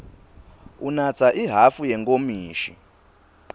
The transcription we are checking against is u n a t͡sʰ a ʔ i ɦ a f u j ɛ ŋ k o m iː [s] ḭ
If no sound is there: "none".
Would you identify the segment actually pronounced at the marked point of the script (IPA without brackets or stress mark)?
ʃ